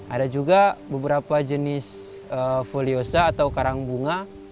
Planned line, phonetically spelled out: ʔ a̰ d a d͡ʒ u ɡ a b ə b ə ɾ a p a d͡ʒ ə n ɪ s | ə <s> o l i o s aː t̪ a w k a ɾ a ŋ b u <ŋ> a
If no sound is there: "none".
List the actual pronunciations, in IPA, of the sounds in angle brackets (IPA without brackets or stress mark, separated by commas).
f, ŋ